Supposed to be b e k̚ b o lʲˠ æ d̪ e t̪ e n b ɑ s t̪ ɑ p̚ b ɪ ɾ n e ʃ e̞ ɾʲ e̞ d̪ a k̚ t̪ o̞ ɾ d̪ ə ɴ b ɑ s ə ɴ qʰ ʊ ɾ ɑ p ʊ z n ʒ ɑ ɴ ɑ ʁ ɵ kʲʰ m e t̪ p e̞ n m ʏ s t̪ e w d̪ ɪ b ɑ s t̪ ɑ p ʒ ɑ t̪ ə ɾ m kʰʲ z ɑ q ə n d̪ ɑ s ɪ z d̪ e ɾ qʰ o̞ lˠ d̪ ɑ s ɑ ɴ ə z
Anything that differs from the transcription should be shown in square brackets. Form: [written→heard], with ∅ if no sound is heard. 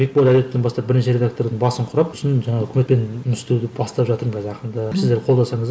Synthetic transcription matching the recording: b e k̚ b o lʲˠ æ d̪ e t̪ e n b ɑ s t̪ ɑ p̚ b ɪ ɾ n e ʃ e̞ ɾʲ e̞ d̪ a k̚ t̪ o̞ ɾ d̪ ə ɴ b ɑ s ə ɴ qʰ ʊ ɾ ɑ p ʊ [z→s] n ʒ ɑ ɴ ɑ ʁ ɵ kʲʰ m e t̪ p e̞ n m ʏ s t̪ e w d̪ ɪ b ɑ s t̪ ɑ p ʒ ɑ t̪ ə ɾ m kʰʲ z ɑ q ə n d̪ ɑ s ɪ z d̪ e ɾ qʰ o̞ lˠ d̪ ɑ s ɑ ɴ ə z